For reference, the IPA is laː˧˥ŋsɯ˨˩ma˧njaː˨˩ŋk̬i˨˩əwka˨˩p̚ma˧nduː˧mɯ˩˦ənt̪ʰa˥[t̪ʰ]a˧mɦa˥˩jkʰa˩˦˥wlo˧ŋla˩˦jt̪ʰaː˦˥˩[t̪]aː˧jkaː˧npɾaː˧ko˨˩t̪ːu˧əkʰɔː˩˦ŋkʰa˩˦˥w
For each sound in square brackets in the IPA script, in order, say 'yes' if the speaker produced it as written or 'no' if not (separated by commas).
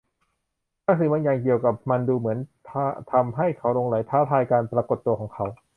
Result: yes, no